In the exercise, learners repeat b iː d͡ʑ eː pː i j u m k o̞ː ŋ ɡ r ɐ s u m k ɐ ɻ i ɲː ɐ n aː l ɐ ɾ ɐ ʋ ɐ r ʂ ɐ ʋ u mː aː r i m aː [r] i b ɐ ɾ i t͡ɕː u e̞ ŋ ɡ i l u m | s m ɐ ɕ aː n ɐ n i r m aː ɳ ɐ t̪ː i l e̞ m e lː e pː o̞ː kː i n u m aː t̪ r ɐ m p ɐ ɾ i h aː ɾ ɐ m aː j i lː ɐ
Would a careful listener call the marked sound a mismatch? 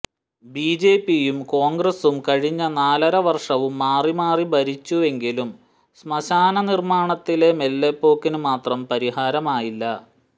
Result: no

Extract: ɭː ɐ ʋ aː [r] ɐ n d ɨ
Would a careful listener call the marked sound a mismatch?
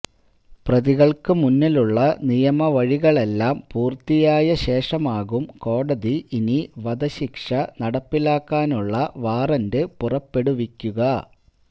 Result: no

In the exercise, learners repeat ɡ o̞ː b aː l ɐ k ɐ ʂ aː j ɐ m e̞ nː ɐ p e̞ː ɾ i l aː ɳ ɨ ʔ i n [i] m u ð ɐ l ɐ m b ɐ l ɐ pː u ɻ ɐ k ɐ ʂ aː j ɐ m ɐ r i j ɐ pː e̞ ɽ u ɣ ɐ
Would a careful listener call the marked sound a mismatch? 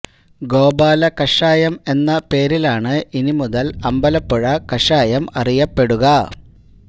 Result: no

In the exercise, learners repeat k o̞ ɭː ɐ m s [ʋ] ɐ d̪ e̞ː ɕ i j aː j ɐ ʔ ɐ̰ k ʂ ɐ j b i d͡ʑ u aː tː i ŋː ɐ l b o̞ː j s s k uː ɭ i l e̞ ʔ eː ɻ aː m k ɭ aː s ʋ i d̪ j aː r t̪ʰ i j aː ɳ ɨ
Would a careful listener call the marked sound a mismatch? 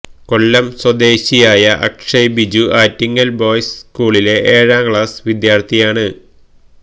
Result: yes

